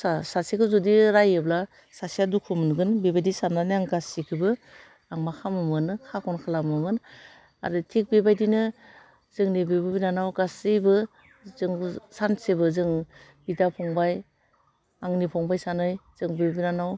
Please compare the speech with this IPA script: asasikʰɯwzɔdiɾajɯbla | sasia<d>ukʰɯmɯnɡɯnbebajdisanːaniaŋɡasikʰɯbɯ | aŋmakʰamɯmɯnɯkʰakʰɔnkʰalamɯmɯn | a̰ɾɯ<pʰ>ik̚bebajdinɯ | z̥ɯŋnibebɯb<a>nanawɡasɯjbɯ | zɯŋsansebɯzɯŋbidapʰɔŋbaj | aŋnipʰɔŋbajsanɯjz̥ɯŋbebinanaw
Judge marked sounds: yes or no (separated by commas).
yes, no, no